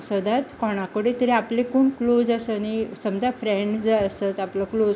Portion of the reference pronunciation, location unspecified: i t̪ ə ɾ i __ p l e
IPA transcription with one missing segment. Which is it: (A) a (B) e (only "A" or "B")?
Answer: A